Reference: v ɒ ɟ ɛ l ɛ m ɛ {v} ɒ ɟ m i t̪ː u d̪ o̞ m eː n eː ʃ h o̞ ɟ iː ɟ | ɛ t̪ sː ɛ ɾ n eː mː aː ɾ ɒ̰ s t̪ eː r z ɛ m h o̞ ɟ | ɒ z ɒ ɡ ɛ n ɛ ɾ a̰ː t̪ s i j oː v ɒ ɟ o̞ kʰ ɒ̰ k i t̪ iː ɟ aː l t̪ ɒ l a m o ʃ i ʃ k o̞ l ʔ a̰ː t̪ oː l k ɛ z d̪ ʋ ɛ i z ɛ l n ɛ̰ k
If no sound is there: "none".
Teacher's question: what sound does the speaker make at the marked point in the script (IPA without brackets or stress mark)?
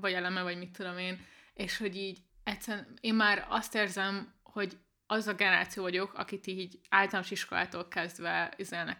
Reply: v